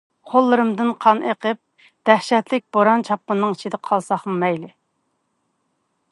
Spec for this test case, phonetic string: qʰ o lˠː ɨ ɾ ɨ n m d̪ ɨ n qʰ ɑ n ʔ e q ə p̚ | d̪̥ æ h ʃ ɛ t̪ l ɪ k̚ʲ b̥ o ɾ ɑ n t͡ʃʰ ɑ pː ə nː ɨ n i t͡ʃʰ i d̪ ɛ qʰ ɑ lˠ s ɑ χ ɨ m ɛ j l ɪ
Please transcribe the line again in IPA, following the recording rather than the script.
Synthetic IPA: qʰ o lˠː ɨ ɾ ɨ m d̪ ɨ n qʰ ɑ n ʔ e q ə p̚ | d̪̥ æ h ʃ ɛ t̪ l ɪ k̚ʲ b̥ o ɾ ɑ n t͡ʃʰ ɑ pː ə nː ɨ ŋ i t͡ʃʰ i d̪ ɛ qʰ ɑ lˠ s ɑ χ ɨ m ɛ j l ɪ